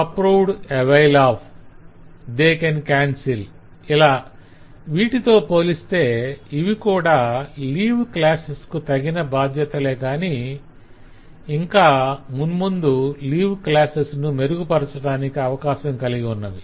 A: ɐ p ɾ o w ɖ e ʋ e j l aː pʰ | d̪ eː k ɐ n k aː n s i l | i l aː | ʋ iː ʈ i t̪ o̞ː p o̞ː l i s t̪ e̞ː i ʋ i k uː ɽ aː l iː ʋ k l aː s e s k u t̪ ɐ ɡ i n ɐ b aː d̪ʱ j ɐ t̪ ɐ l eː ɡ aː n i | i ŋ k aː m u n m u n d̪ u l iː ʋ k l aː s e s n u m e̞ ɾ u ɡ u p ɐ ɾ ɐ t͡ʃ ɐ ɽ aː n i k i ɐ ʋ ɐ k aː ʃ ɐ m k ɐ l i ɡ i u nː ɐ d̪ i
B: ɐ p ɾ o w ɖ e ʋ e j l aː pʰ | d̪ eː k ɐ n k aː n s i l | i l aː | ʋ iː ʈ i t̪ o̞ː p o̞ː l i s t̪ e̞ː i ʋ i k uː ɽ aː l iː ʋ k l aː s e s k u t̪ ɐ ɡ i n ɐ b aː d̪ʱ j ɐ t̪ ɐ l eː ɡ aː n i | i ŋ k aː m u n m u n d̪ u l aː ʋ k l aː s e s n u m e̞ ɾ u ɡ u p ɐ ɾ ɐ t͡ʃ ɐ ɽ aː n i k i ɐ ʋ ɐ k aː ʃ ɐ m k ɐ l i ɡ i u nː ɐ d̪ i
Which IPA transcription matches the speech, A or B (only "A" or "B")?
A